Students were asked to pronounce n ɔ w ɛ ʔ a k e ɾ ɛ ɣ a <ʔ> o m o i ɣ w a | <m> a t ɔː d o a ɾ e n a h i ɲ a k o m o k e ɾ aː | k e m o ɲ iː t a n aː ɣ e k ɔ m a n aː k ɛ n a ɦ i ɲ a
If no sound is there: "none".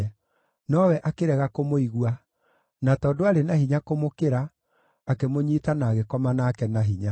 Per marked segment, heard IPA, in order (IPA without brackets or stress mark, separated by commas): k, n